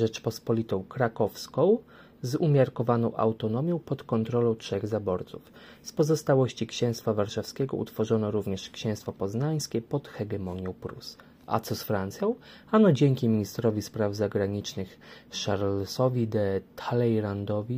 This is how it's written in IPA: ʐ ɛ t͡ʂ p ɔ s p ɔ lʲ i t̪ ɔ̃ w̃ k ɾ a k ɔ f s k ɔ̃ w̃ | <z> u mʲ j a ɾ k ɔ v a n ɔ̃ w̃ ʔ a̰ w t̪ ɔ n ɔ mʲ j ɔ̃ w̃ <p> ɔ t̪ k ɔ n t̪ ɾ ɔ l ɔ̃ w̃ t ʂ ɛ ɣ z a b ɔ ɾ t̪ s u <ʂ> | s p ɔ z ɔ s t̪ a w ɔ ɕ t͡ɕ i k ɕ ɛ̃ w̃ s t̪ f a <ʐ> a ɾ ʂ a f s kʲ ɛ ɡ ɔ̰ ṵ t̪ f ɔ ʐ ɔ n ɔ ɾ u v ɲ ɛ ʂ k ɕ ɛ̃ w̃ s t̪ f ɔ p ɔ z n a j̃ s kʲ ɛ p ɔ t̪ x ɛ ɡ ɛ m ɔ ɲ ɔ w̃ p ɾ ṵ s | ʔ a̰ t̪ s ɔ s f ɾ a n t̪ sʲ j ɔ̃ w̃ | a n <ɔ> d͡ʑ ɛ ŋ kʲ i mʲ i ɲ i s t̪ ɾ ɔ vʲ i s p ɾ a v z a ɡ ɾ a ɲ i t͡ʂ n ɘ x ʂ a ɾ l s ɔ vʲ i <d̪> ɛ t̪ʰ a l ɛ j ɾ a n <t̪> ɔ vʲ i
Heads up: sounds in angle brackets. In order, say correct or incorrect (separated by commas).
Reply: correct, correct, incorrect, incorrect, correct, correct, incorrect